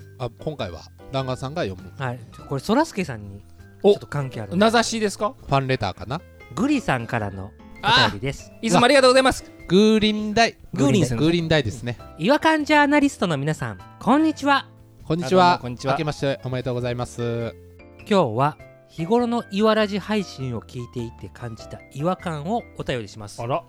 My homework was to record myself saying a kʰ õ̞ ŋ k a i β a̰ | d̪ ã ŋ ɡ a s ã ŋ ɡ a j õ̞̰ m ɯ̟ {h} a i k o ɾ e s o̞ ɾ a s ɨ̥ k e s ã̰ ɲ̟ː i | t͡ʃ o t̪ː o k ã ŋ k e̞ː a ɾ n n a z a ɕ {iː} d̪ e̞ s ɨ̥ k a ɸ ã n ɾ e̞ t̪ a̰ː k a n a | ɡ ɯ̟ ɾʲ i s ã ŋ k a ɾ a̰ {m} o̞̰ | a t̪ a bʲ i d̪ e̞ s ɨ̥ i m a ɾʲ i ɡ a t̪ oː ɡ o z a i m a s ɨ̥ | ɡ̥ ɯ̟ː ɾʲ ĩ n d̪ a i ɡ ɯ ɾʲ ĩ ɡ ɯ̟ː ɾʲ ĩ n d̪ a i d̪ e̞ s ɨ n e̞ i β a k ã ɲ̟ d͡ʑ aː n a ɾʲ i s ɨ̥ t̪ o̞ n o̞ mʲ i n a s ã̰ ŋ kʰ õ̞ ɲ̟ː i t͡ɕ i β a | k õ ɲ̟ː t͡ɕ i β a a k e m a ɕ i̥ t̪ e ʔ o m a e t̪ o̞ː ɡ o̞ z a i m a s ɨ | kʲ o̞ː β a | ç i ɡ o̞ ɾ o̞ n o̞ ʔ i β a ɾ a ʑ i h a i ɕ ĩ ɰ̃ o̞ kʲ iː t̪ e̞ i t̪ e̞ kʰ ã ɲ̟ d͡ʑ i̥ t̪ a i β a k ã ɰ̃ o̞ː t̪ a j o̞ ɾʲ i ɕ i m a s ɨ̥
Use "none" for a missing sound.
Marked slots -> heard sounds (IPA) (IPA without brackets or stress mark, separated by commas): h, iː, n